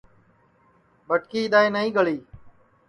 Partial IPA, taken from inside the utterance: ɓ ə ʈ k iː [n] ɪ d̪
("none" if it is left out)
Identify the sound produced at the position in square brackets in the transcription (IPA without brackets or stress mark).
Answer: none